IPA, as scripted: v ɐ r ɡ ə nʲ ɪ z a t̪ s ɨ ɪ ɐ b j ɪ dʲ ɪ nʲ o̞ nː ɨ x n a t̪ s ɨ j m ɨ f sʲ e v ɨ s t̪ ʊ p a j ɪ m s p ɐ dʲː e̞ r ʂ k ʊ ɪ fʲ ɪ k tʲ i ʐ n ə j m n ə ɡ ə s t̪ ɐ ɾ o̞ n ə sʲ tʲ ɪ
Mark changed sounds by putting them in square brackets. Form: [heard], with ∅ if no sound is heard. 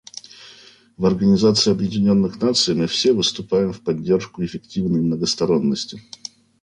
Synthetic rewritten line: v ɐ r ɡ ə nʲ ɪ z a t̪ s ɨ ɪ ɐ b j ɪ dʲ ɪ nʲ o̞ nː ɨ x n a t̪ s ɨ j m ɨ f sʲ e v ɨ s t̪ ʊ p a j ɪ m [f] p ɐ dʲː e̞ r ʂ k ʊ ɪ fʲ ɪ k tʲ i [v] n ə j m n ə ɡ ə s t̪ ɐ ɾ o̞ [nː] ə sʲ tʲ ɪ